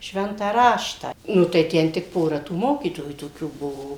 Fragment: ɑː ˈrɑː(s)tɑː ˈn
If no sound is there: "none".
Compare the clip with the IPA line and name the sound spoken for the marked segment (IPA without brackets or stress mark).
ʃ